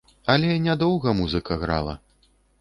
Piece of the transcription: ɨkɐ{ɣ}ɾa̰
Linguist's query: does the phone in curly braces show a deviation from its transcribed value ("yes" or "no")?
no